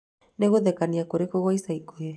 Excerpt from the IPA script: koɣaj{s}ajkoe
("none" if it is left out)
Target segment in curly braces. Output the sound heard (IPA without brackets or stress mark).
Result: s